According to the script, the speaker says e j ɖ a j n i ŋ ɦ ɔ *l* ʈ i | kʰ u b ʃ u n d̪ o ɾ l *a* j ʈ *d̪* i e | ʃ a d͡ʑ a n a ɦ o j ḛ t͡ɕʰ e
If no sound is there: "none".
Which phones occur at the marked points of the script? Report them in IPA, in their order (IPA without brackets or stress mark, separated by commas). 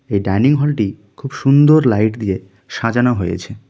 l, a, d̪